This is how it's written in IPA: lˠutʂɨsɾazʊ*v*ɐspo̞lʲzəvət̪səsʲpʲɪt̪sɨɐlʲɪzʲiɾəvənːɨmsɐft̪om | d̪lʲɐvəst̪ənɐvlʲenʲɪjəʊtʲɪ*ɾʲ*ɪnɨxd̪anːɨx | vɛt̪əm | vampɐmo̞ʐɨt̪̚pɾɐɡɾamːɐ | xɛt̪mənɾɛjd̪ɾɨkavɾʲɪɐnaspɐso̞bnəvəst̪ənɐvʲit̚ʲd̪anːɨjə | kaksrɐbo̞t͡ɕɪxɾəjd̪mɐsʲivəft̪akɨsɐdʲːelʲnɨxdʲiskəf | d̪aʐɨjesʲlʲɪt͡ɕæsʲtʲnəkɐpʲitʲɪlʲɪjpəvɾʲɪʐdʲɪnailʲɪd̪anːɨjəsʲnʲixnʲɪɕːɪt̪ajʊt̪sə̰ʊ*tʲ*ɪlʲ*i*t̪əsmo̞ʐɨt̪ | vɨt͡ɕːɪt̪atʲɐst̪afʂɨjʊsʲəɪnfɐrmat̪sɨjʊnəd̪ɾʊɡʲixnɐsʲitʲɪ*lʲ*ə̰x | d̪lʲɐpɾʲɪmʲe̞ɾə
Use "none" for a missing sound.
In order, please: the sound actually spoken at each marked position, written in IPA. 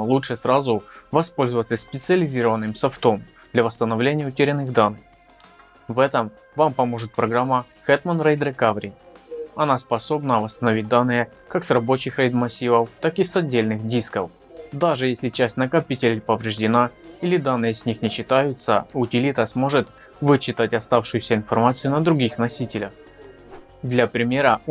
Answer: v, ɾʲ, tʲ, i, lʲ

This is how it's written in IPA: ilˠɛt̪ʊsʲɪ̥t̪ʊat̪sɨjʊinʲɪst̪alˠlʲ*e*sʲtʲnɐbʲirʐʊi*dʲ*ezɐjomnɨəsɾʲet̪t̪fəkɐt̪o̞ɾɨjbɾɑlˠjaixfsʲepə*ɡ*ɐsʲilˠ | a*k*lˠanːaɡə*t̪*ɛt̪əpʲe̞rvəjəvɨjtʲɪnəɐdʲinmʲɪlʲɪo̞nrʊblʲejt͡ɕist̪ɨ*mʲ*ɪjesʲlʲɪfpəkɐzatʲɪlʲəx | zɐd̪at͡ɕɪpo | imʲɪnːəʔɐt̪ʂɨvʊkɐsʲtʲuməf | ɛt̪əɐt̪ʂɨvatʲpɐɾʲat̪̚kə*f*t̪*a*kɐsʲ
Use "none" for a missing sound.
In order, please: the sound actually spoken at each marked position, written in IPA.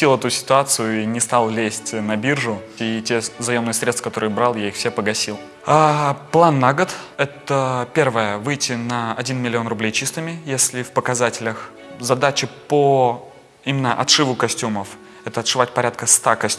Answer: e, tʲ, ɡ, p, t̪, mʲ, s, a

